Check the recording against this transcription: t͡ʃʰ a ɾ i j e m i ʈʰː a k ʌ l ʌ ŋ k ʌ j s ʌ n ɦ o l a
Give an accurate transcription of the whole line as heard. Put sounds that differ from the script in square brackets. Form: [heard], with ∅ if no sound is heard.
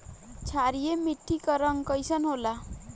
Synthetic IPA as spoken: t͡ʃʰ a ɾ i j e m i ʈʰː [i] k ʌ [ɾ] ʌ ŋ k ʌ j s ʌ n ɦ o l a